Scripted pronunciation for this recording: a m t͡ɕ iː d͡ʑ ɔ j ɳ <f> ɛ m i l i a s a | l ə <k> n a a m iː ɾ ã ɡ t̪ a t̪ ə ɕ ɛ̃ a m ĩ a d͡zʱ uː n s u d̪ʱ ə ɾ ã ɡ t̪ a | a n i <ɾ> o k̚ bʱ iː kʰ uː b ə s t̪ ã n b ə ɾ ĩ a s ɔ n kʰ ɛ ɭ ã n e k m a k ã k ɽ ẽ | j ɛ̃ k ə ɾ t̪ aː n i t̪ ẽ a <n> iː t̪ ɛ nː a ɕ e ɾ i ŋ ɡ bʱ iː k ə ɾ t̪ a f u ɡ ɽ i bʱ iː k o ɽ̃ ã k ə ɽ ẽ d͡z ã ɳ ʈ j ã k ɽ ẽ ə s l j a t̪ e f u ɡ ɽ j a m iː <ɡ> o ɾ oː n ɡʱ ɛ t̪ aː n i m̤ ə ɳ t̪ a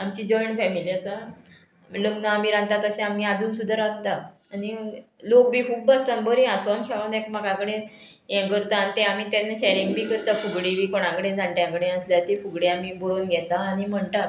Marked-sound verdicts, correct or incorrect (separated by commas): correct, incorrect, incorrect, incorrect, incorrect